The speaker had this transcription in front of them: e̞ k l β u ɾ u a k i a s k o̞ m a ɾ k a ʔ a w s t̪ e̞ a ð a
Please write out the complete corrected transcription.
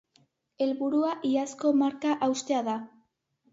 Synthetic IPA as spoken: e̞ l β u ɾ u a ʔ i a s k o̞ m a ɾ k a ʔ a w s t̪ e̞ a ð a